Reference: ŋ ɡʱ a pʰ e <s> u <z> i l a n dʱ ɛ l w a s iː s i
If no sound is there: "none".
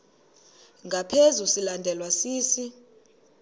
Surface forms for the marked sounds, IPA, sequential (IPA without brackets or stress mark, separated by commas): z, s